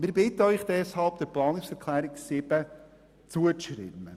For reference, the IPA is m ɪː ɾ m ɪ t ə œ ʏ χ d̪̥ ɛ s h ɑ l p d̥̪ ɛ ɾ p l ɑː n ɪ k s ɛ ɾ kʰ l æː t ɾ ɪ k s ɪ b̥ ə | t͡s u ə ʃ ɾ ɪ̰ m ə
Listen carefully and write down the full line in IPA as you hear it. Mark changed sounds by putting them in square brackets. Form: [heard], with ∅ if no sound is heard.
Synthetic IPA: m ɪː ɾ [b] ɪ t ə œ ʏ χ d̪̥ ɛ s h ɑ l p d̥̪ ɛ ɾ p l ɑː n ɪ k s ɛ ɾ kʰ l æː [∅] ɾ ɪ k s ɪ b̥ ə | t͡s u ə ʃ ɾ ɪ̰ m ə